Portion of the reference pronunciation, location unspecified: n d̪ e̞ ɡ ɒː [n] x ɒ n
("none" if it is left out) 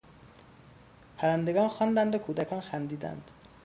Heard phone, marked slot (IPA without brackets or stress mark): n